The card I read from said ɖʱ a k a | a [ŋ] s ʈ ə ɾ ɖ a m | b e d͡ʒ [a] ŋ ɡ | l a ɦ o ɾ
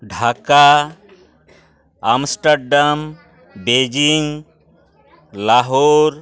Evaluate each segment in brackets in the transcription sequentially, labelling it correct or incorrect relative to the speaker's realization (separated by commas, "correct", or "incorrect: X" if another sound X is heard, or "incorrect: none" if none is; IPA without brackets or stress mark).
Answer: incorrect: m, incorrect: i